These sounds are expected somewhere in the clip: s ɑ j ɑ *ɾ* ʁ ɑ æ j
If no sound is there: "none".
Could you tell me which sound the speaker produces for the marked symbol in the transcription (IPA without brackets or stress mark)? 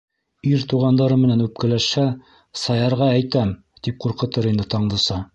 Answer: ɾ